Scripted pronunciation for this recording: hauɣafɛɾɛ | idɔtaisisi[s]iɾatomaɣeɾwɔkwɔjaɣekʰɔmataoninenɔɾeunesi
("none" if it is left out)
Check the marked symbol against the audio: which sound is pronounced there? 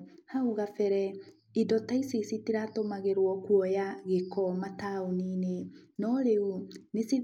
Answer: t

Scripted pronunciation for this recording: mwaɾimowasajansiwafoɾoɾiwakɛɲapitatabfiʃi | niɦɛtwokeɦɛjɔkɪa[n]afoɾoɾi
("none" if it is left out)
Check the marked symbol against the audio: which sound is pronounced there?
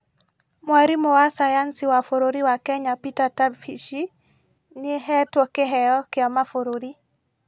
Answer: m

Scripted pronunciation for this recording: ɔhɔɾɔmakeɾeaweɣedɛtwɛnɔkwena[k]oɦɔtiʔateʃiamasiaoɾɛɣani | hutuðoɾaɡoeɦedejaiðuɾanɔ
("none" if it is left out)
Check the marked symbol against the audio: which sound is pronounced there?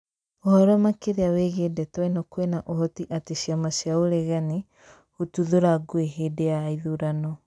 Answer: ʔ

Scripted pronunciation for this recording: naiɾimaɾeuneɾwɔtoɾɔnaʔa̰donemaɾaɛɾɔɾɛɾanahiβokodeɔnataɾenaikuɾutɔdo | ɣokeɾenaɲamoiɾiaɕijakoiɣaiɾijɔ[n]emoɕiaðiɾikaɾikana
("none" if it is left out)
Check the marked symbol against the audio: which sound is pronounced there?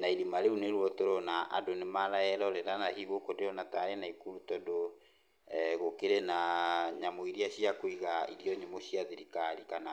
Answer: ɲ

